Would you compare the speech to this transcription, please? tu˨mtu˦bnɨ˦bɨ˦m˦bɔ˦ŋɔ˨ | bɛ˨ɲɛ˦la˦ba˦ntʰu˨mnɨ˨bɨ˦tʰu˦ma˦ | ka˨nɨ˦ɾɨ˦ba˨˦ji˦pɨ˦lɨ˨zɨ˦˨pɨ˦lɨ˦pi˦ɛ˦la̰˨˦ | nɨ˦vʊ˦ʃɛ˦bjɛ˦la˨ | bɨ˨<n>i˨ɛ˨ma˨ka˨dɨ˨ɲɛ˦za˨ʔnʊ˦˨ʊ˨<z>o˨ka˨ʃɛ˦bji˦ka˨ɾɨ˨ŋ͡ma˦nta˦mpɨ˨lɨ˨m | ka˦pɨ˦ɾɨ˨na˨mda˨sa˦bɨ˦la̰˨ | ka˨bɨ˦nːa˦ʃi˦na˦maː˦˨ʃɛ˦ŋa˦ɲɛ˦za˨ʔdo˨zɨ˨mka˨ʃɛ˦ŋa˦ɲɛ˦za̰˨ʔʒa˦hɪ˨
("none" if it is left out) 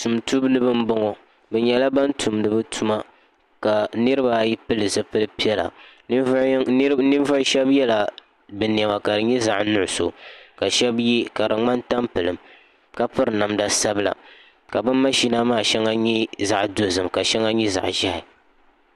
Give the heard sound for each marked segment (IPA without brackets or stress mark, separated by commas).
n, s